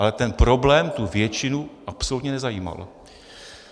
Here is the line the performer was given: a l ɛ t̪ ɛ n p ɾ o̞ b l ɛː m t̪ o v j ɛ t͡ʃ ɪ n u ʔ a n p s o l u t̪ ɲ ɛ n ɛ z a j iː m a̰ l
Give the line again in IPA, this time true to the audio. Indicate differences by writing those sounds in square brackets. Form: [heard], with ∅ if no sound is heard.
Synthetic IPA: a l ɛ t̪ ɛ n p ɾ o̞ b l ɛː m t̪ [u] v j ɛ t͡ʃ ɪ n u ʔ a [∅] p s o l u t̪ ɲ ɛ n ɛ z a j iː m a̰ l